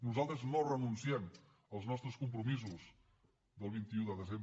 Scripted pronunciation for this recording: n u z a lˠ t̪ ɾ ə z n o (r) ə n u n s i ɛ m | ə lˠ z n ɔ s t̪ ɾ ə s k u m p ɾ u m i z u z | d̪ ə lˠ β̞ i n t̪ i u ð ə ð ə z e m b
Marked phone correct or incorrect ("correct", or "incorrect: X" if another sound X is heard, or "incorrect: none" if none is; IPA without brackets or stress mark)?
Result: correct